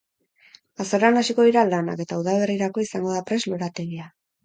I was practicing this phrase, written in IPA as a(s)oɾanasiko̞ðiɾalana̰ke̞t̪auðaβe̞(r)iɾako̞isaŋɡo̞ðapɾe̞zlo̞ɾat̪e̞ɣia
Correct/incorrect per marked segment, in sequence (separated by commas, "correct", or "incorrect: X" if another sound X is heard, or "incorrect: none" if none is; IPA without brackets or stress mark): correct, correct